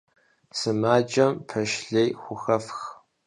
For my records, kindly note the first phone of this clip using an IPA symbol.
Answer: s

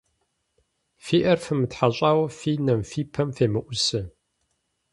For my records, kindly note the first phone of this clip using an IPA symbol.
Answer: f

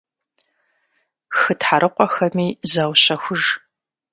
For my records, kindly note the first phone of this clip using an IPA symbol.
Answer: x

